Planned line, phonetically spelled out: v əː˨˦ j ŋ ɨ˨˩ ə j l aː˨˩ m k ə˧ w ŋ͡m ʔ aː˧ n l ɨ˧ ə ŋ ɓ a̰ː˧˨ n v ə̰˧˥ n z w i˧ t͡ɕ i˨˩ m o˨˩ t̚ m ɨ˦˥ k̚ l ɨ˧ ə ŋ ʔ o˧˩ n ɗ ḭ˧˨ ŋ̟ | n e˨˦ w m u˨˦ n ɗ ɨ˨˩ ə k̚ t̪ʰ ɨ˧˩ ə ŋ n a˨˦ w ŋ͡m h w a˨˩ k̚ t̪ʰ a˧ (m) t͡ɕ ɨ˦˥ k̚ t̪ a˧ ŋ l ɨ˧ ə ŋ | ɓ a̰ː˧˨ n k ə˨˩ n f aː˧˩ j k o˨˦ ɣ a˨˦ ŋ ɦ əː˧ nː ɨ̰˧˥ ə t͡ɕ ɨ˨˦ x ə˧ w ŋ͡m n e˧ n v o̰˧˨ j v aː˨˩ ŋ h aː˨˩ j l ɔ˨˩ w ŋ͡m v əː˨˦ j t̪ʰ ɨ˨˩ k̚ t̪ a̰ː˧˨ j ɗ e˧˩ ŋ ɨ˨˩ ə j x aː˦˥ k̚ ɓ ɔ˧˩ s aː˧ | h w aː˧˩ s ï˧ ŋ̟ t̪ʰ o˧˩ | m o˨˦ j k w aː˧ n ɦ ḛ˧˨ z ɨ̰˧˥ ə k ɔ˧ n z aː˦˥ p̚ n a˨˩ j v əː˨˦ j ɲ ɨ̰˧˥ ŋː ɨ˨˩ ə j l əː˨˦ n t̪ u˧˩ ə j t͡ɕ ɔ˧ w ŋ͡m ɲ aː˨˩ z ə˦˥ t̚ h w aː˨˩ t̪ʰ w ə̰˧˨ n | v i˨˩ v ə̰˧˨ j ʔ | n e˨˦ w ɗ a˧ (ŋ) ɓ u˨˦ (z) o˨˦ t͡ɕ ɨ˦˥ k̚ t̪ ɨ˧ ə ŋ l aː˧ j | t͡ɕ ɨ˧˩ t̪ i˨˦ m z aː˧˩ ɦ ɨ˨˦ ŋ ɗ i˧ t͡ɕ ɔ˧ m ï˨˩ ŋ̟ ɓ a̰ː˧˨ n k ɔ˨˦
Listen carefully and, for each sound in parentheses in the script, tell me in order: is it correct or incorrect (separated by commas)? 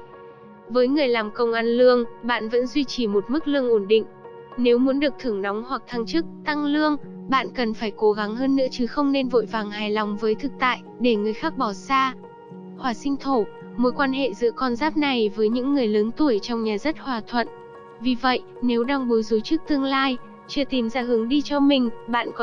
incorrect, correct, correct